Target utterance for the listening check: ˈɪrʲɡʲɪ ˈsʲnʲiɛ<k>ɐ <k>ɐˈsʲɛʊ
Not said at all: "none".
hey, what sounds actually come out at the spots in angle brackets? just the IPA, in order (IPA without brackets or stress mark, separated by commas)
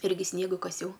ɡ, k